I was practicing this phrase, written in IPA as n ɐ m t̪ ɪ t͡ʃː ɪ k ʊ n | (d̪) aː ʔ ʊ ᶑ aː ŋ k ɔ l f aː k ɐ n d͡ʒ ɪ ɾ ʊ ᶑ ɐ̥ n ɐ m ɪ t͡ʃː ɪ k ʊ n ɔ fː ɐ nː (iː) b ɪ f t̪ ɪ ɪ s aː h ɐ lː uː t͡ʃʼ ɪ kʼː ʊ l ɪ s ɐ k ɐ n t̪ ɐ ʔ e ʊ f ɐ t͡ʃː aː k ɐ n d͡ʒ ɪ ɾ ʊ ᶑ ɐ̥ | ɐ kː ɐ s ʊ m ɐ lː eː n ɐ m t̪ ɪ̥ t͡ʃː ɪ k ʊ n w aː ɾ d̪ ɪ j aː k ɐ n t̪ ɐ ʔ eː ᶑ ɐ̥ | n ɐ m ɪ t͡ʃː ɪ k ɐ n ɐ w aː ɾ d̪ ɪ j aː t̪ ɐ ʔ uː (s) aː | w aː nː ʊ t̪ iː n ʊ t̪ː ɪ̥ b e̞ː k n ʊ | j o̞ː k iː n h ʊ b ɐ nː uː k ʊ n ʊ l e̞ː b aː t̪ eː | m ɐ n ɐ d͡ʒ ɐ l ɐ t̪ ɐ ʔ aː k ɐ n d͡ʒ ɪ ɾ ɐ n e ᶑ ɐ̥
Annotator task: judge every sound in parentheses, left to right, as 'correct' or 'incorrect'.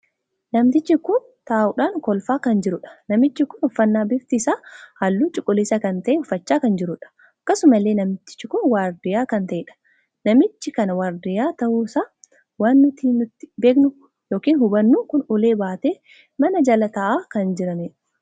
incorrect, incorrect, correct

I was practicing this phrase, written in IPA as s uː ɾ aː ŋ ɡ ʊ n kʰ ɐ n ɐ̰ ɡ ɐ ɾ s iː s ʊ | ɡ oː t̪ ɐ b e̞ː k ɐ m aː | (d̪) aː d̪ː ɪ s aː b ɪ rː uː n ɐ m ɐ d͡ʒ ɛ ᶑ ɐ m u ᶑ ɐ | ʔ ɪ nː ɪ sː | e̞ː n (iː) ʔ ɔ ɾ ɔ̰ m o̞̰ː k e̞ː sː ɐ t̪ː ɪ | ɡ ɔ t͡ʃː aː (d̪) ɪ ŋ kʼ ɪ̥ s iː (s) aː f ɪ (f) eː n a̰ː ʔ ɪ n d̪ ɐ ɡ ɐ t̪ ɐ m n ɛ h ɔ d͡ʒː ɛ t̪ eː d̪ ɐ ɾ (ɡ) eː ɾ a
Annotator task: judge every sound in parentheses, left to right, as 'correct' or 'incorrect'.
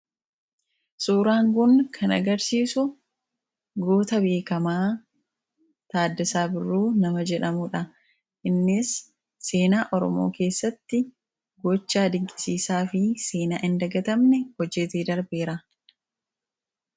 incorrect, incorrect, correct, correct, incorrect, incorrect

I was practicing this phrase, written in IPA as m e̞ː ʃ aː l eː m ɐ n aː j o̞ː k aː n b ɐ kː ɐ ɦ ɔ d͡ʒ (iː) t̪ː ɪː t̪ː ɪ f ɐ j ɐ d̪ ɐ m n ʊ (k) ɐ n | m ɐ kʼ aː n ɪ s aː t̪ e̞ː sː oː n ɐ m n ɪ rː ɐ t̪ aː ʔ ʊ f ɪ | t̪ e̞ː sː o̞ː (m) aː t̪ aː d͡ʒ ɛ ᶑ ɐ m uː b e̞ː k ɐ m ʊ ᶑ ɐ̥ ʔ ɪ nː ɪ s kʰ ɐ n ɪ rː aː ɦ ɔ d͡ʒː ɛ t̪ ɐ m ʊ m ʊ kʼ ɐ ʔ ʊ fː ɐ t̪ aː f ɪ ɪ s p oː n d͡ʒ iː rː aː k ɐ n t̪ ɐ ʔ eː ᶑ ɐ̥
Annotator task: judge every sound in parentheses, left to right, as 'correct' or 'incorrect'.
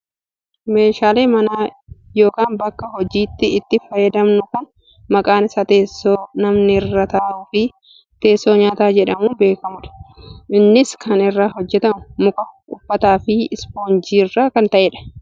correct, correct, incorrect

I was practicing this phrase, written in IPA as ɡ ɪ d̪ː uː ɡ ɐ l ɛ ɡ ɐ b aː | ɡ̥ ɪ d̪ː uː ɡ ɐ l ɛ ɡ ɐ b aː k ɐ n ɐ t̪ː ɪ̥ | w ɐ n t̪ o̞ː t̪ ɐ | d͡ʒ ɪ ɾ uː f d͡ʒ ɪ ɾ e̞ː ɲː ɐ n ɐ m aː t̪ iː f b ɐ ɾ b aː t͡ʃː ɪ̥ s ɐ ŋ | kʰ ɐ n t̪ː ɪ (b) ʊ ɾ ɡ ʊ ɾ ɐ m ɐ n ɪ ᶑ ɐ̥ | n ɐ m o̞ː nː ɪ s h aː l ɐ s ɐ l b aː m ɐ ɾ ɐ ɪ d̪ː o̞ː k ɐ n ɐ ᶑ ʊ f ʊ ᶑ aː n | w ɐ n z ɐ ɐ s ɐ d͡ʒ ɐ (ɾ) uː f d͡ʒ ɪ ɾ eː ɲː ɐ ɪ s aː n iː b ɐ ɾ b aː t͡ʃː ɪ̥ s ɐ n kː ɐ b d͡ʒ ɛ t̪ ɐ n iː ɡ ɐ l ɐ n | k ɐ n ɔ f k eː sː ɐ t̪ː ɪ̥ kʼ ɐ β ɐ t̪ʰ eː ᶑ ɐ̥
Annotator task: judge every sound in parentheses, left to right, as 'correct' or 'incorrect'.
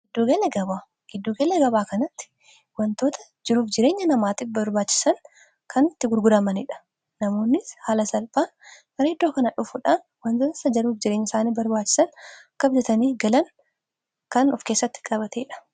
incorrect, correct

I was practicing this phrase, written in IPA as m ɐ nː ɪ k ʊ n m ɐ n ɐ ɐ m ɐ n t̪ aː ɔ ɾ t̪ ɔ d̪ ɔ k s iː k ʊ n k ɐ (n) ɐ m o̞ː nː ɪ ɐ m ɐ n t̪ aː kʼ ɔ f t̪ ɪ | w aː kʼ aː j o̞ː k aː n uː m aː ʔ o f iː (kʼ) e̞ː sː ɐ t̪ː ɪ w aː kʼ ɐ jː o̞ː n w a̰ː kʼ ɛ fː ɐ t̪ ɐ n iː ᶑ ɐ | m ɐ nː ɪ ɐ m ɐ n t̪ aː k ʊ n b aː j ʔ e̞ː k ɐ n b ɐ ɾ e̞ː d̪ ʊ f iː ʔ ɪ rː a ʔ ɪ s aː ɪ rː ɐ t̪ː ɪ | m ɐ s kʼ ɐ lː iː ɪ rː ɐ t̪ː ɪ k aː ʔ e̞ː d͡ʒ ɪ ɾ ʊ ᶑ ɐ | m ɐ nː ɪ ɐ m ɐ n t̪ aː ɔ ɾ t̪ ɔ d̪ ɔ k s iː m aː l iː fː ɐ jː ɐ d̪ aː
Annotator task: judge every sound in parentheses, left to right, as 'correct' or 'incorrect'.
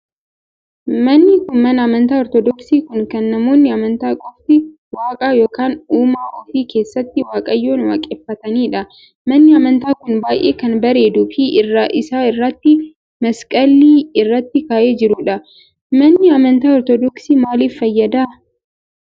incorrect, incorrect

